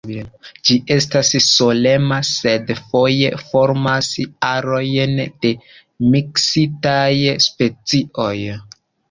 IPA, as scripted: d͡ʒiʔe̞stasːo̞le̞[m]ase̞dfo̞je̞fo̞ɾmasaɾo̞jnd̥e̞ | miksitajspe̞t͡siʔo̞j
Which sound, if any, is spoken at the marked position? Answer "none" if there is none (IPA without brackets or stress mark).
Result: m